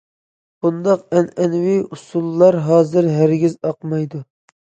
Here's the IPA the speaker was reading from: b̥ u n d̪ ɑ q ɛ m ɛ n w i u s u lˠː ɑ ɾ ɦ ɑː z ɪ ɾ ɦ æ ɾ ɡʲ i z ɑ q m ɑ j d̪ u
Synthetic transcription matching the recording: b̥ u n d̪ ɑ q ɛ n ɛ n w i u s u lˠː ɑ ɾ ɦ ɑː z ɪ ɾ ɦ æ ɾ ɡʲ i z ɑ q m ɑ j d̪ u